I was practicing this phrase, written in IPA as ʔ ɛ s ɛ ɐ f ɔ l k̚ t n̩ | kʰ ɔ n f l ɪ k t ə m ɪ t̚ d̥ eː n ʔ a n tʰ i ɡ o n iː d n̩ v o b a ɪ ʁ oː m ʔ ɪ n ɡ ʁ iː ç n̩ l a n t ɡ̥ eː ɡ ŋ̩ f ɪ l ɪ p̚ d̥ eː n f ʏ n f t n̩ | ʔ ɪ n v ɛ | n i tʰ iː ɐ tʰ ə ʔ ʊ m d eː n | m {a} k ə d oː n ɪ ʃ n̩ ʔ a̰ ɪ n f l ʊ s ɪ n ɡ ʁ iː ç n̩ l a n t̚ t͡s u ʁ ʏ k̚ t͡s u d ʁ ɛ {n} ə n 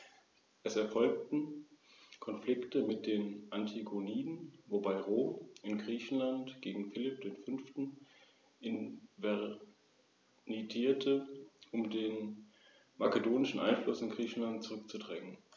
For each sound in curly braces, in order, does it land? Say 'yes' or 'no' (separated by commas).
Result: yes, no